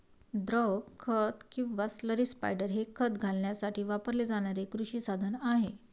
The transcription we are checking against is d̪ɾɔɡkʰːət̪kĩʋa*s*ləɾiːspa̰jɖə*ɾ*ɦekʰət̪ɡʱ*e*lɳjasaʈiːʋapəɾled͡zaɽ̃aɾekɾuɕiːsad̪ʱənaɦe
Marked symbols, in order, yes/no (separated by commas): yes, yes, no